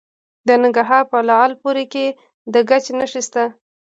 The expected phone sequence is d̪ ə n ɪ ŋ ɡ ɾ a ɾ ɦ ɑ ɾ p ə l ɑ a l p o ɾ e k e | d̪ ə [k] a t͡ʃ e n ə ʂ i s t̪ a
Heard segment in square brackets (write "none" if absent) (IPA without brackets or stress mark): ɡ